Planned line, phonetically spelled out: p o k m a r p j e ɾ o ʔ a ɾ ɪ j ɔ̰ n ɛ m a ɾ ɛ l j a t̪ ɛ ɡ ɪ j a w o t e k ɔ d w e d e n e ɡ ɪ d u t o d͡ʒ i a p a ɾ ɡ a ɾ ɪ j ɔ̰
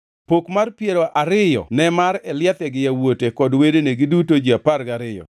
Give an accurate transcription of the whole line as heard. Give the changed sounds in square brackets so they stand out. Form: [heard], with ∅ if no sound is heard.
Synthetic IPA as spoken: p o k m a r p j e ɾ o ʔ a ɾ ɪ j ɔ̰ n ɛ m a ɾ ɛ l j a t̪ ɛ ɡ ɪ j a w o t e k ɔ d w e d e n e ɡ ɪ d u t o d͡ʒ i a p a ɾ ɡ a ɾ ɪ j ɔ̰

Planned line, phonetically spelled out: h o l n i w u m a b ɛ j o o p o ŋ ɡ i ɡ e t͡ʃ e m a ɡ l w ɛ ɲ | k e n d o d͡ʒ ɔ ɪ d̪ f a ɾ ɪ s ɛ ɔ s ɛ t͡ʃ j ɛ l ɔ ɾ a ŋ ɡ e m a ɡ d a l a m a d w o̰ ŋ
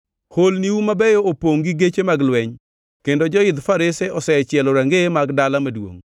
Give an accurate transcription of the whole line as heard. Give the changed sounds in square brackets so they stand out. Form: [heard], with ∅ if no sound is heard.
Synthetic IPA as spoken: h o l n i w u m a b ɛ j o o p o ŋ ɡ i ɡ e t͡ʃ e m a ɡ l w ɛ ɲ | k e n d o d͡ʒ ɔ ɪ d̪ f a ɾ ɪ s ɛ ɔ s ɛ t͡ʃ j ɛ l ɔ ɾ a ŋ ɡ e m a ɡ d a l a m a d w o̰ ŋ

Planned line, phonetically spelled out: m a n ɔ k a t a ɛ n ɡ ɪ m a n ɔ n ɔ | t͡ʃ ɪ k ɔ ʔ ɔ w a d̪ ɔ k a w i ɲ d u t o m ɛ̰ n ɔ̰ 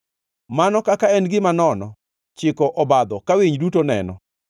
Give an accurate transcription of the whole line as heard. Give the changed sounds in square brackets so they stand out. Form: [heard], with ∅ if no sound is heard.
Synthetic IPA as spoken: m a n ɔ k a [k] a ɛ n ɡ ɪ m a n ɔ n ɔ | t͡ʃ ɪ k ɔ ʔ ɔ [b] a d̪ ɔ k a w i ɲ d u t o [n] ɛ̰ n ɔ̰

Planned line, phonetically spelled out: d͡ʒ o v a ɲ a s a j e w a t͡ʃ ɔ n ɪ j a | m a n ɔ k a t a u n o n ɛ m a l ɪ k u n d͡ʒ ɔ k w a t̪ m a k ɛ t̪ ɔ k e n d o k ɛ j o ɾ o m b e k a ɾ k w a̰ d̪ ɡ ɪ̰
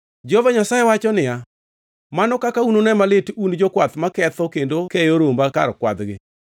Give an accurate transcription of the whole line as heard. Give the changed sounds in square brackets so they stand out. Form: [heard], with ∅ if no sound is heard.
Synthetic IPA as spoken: d͡ʒ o v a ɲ a s a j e w a t͡ʃ ɔ n ɪ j a | m a n ɔ k a [k] a u n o n ɛ m a l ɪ [t] u n d͡ʒ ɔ k w a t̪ m a k ɛ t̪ ɔ k e n d o k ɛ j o ɾ o m b [a] k a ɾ k w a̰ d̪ ɡ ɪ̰

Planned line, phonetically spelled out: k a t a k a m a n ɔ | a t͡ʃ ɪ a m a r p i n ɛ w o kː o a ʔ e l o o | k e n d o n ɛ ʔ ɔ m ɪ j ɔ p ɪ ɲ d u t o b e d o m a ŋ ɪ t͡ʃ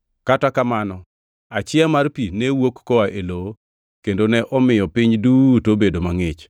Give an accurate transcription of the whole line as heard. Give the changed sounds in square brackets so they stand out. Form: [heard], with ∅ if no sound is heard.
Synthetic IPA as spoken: k a t a k a m a n ɔ | a t͡ʃ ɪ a m a r p i n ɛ w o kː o a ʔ e l o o | k e n d o n ɛ ʔ ɔ m ɪ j ɔ p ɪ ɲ d u t o b e d o m a ŋ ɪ t͡ʃ

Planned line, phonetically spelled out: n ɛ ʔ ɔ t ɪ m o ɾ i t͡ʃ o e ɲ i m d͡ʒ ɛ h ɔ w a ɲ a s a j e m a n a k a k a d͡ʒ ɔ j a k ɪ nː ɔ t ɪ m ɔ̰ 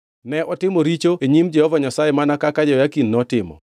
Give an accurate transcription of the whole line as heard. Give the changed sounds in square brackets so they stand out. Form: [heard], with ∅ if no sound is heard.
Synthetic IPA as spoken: n ɛ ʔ ɔ t ɪ m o ɾ i t͡ʃ o e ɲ i m d͡ʒ ɛ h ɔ [v] a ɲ a s a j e m a n a k a k a d͡ʒ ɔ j a k [i] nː ɔ t ɪ m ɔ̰

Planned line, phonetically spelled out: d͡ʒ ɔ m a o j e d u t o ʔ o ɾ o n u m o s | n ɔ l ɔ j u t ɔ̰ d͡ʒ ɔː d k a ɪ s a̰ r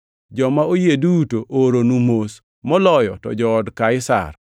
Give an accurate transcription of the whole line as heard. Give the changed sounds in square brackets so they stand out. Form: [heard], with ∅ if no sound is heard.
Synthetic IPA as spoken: d͡ʒ ɔ m a o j e d u t o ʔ o ɾ o n u m o s | [m] ɔ l ɔ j [ɔ] t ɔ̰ d͡ʒ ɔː d k a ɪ s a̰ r

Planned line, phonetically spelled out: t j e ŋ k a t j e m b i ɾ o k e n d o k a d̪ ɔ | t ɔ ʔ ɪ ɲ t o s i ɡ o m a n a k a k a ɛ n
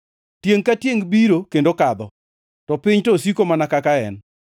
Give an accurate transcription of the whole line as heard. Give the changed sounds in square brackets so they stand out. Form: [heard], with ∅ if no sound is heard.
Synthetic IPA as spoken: t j e ŋ k a t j e [ŋ] b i ɾ o k e n d o k a d̪ ɔ | t ɔ [p] ɪ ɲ t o s i [k] o m a n a k a k a ɛ n

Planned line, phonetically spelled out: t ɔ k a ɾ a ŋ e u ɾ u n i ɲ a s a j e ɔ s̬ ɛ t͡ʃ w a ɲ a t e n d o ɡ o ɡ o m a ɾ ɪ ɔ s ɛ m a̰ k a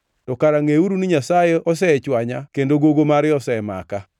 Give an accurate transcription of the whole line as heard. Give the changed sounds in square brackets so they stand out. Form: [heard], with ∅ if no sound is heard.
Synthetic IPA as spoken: t ɔ k a ɾ a ŋ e u ɾ u n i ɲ a s a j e ɔ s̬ ɛ t͡ʃ w a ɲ a [k] e n d o ɡ o ɡ o m a ɾ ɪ ɔ s ɛ m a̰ k a

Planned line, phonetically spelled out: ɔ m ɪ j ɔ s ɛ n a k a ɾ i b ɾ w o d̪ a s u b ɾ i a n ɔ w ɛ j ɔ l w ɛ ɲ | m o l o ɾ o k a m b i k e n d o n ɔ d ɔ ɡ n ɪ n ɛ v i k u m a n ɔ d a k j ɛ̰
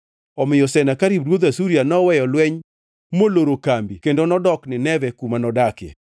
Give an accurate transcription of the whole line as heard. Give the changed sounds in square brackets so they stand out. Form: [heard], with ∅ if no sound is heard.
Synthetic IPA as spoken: ɔ m ɪ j ɔ s ɛ n a k a ɾ i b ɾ w o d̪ a s u [∅] ɾ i a n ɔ w ɛ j ɔ l w ɛ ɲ | m o l o ɾ o k a m b i k e n d o n ɔ d ɔ [k] n ɪ n ɛ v [ɛ] k u m a n ɔ d a k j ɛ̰

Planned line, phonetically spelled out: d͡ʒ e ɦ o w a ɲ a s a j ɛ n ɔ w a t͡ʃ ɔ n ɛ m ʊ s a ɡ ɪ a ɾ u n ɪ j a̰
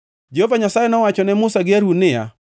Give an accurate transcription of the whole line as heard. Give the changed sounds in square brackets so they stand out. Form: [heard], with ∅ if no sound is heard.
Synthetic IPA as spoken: d͡ʒ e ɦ o [v] a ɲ a s a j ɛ n ɔ w a t͡ʃ ɔ n ɛ m ʊ s a ɡ ɪ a ɾ u n ɪ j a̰

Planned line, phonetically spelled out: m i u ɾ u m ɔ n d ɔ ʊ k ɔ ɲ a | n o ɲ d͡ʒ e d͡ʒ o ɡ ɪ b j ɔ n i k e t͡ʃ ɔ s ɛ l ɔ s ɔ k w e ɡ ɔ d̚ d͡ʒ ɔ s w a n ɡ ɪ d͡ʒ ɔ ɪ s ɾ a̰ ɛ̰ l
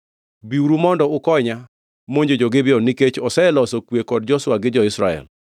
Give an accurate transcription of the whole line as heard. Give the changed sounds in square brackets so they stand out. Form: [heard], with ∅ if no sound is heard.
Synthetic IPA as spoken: [b] i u ɾ u m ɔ n d ɔ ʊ k ɔ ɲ a | [m] o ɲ d͡ʒ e d͡ʒ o ɡ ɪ b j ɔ n i k e t͡ʃ ɔ s ɛ l ɔ s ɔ k w e [k] ɔ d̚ d͡ʒ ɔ s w a [∅] ɡ ɪ d͡ʒ ɔ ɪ s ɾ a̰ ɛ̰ l

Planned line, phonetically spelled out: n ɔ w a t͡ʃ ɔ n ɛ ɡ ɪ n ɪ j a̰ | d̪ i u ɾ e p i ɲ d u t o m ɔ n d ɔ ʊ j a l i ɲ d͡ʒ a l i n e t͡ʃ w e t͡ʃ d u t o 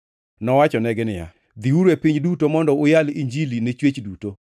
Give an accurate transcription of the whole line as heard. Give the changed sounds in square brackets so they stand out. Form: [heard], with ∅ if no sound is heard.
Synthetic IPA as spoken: n ɔ w a t͡ʃ ɔ n ɛ ɡ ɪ n ɪ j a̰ | d̪ i u ɾ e p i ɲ d u t o m ɔ n d ɔ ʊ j a l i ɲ d͡ʒ [i] l i n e t͡ʃ w e t͡ʃ d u t o

